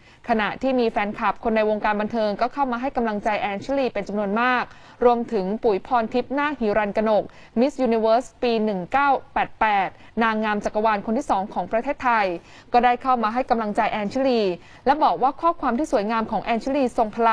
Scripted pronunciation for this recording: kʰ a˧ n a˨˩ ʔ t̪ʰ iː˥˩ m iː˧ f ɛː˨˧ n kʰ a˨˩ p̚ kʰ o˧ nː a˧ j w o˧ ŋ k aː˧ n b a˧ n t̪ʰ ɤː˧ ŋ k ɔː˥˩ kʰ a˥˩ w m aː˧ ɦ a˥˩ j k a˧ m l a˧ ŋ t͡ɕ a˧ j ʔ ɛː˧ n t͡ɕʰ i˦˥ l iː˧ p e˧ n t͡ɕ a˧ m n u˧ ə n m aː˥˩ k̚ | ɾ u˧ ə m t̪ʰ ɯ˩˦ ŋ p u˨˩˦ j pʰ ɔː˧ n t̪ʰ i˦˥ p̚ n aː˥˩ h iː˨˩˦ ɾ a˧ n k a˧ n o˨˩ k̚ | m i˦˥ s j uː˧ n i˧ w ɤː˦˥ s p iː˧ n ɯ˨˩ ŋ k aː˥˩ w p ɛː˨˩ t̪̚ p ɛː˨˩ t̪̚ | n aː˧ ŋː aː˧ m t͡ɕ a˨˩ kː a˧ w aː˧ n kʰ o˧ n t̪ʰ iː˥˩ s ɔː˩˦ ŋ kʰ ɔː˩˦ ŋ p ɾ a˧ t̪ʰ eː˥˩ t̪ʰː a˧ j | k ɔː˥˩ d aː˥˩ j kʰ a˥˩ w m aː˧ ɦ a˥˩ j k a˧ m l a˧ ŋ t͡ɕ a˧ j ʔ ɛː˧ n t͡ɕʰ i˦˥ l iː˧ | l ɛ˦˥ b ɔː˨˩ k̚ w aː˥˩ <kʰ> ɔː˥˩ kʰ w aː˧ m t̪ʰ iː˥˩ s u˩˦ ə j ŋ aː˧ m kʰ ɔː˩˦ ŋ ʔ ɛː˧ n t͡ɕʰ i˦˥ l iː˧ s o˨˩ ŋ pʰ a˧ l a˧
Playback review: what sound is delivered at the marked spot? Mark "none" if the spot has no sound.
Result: kʰ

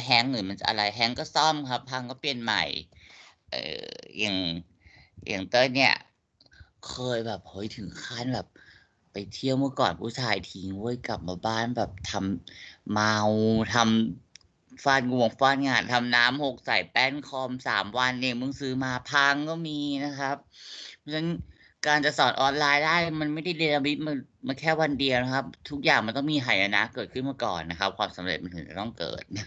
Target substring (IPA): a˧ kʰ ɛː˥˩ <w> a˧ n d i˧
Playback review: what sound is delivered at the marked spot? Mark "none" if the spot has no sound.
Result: w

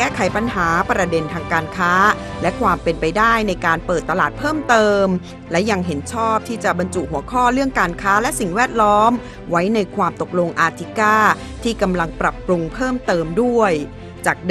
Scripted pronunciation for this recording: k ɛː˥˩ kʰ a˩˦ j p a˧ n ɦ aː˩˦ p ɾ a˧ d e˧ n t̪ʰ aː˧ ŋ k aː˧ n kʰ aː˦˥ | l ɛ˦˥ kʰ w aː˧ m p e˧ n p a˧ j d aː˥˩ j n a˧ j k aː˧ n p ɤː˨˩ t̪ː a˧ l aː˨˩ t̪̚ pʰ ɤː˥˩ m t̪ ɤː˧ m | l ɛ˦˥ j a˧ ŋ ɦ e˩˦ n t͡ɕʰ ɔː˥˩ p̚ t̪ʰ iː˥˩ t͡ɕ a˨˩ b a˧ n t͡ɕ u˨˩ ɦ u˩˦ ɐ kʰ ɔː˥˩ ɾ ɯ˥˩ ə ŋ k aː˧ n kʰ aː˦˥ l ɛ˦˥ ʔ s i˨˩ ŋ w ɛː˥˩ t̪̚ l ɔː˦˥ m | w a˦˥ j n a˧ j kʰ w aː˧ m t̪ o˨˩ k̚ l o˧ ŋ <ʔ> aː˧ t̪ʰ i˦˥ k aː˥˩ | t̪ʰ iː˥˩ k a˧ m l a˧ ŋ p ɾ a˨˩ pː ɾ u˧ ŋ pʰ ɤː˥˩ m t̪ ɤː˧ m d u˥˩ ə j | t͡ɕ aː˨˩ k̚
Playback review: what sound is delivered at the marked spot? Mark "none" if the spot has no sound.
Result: ʔ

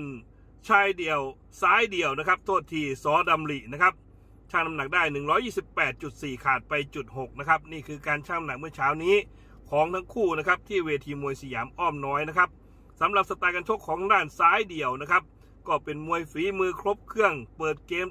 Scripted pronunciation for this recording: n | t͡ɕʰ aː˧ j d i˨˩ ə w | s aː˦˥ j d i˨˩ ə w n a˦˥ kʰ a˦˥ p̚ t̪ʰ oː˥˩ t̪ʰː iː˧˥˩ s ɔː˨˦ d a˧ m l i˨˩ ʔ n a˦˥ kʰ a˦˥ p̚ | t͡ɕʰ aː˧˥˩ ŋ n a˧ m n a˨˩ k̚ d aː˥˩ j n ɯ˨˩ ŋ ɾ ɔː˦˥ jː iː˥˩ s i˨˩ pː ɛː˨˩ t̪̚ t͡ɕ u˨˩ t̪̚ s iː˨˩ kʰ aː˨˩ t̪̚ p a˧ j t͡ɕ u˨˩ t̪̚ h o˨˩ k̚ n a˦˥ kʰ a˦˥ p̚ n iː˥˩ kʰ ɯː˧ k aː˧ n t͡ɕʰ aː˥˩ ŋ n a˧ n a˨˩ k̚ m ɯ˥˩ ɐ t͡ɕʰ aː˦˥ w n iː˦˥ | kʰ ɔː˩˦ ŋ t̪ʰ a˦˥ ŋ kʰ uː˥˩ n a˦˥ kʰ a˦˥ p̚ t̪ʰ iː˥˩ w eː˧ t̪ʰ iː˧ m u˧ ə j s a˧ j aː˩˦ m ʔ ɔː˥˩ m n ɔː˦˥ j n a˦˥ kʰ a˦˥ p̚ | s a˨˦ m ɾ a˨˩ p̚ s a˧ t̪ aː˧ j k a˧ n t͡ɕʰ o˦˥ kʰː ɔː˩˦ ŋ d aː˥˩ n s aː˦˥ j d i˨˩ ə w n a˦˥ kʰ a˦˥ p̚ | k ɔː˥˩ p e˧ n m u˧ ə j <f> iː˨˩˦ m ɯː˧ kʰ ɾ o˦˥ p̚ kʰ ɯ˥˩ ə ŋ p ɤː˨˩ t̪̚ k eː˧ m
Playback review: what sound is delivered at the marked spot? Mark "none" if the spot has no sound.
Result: f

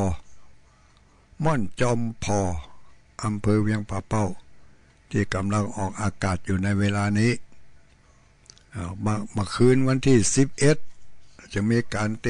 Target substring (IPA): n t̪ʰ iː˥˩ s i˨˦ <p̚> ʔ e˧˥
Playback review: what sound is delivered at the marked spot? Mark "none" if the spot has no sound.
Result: p̚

